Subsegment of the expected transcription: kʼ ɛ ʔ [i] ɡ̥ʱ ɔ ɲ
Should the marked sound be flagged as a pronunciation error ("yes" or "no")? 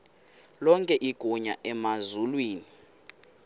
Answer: no